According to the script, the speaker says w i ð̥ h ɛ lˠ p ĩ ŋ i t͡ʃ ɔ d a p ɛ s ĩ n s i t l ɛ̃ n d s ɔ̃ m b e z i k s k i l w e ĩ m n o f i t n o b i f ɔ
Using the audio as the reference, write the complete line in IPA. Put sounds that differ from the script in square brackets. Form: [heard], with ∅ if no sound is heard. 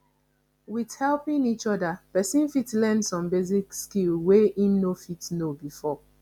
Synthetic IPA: w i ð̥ h ɛ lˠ p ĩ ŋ i t͡ʃ ɔ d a p ɛ s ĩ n [f] i t l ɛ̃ n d s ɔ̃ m b e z i k s k i l w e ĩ m n o f i t n o b i f ɔ